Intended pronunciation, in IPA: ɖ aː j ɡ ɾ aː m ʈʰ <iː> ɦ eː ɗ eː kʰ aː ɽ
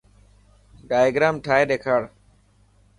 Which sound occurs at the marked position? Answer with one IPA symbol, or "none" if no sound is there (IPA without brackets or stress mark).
aː